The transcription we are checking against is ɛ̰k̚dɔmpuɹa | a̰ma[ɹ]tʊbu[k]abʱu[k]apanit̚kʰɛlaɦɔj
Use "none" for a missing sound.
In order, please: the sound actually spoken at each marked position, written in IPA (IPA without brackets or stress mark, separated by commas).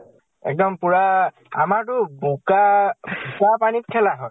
ɹ, k, k